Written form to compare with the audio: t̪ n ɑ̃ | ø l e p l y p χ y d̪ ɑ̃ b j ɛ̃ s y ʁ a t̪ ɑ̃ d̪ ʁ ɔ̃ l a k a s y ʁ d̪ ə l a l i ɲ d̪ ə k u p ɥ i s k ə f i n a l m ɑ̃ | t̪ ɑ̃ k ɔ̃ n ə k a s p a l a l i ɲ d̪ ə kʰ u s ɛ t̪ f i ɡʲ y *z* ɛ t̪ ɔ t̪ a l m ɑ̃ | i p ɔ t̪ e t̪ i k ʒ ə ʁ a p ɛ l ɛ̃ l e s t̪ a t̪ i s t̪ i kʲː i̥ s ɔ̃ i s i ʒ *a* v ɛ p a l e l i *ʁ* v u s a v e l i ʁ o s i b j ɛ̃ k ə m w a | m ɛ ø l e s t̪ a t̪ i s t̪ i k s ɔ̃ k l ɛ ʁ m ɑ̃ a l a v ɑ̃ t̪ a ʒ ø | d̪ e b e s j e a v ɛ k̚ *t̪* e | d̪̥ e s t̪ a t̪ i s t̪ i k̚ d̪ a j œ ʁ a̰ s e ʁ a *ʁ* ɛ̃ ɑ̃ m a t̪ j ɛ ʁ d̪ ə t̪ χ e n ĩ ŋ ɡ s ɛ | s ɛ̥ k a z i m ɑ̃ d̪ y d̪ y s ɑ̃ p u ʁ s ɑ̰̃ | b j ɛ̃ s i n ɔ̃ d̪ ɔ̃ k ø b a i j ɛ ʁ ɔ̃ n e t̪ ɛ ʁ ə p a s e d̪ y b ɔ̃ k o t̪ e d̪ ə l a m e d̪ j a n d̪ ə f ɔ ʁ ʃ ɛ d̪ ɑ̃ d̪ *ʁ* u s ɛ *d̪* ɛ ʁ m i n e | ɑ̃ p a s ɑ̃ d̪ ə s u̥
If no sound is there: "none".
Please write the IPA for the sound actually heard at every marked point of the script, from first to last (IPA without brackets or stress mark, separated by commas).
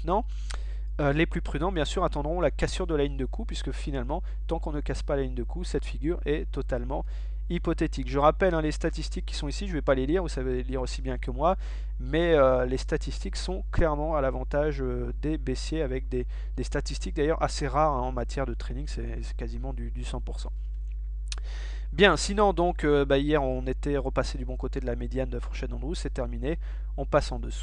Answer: ʁ, ə, ʁ, d̪, ʁ, ʁ, t̪